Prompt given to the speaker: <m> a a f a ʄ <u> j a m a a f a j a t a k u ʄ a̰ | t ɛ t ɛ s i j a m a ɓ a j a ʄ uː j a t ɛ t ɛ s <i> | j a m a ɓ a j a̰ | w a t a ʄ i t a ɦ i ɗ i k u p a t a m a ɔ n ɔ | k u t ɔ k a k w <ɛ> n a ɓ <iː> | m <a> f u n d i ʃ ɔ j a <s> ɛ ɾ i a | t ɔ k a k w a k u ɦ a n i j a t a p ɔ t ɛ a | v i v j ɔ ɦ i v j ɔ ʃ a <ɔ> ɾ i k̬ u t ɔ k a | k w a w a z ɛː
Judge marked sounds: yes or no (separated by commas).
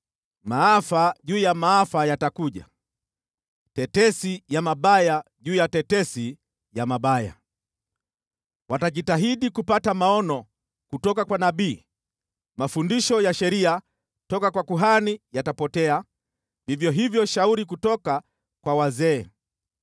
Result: yes, no, yes, no, yes, yes, no, no